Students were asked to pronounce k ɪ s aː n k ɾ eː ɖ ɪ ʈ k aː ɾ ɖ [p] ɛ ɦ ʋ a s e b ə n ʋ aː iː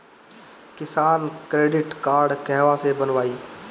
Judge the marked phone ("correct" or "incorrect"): incorrect